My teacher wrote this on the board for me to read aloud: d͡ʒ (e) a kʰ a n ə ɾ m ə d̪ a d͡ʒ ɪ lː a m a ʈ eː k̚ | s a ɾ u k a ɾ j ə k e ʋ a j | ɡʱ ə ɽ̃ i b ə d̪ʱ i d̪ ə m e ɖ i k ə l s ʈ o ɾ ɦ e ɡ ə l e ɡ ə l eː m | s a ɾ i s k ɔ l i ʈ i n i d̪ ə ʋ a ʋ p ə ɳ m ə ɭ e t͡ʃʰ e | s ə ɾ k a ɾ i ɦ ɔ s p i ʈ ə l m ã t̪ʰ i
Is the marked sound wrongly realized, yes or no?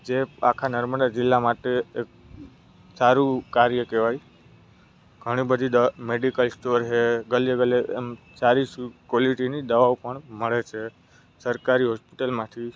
no